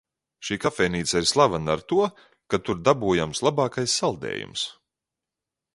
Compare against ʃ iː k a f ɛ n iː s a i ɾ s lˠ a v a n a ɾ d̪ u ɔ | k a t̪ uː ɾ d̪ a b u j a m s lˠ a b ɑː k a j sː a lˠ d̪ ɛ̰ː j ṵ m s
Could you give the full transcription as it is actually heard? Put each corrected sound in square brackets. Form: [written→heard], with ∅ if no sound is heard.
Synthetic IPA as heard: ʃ iː k a f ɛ n iː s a i ɾ s lˠ a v a n a ɾ [d̪→t̪] u ɔ | k a t̪ [uː→u] ɾ d̪ a b u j a m s lˠ a b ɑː k a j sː a lˠ d̪ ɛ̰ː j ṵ m s